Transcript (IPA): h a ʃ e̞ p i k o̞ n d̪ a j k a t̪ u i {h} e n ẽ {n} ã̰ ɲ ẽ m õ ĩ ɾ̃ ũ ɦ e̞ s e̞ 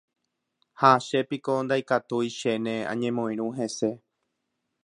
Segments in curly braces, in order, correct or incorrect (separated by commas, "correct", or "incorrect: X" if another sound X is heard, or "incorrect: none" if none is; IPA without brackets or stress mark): incorrect: ʃ, incorrect: none